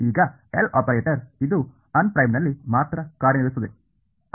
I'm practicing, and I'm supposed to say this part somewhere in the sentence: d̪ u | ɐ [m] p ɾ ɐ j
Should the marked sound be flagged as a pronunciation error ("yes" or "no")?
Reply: yes